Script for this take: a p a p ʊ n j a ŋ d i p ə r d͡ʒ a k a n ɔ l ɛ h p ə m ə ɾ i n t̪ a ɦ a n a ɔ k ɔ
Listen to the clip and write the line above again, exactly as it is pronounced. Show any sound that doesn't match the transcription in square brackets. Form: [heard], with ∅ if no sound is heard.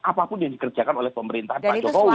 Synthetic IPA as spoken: a p a p ʊ n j a ŋ d i [k] ə r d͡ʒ a k a n [o] l ɛ h p ə m ə ɾ i n t̪ a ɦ a n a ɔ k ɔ